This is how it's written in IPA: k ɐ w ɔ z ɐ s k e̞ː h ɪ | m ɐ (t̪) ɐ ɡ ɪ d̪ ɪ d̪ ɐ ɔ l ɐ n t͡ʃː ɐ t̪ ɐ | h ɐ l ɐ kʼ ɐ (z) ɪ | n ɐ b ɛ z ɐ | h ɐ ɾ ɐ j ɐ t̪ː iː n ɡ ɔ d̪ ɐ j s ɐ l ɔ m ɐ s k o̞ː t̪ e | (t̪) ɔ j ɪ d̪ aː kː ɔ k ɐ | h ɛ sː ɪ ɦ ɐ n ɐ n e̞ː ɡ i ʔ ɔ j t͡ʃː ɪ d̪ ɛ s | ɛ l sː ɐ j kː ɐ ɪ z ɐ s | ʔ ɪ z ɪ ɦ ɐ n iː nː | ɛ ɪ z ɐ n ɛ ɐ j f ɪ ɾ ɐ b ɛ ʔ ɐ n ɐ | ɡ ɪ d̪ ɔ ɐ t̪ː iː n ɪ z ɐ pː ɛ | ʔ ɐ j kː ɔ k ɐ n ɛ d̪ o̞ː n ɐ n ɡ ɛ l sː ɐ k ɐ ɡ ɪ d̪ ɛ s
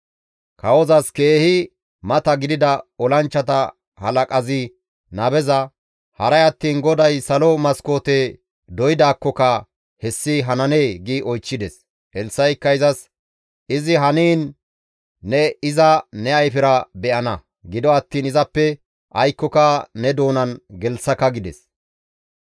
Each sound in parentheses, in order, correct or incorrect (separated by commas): correct, correct, incorrect